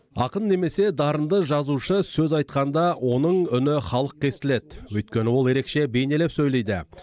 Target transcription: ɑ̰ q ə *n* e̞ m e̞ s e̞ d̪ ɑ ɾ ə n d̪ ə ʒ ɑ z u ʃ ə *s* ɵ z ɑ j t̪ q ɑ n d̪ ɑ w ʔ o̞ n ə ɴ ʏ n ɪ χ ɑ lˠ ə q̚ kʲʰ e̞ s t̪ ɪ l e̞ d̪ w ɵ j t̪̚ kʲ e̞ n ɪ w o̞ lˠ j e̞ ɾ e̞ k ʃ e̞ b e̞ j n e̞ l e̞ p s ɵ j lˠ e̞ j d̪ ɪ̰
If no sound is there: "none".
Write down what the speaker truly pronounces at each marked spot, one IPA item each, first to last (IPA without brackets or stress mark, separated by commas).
nː, s